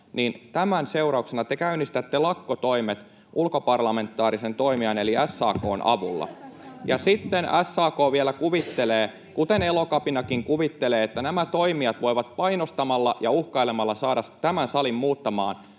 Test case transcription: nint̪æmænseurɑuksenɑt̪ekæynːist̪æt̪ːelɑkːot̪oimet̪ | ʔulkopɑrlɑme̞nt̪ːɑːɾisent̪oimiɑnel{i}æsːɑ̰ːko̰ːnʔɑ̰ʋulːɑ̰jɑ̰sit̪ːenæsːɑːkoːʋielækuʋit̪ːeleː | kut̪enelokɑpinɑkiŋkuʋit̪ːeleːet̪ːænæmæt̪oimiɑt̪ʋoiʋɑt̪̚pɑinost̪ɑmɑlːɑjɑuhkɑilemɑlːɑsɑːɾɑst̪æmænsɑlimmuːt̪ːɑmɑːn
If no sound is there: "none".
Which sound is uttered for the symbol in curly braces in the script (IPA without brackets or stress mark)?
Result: i